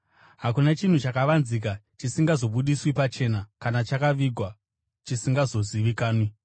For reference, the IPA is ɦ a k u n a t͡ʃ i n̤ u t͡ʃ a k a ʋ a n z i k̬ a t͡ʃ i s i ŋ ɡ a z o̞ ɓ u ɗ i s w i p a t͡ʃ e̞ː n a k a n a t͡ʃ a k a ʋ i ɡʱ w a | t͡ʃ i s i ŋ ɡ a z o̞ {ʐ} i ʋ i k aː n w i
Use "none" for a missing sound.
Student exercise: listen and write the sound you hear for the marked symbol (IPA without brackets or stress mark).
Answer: z